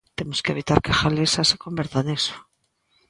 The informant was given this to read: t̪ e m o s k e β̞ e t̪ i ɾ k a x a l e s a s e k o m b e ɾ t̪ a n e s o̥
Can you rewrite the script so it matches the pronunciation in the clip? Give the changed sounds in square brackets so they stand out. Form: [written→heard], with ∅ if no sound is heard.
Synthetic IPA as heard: t̪ e m o s k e β̞ [e→i] t̪ [i→a] ɾ k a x a l e s a s e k o m b e ɾ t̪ a n e s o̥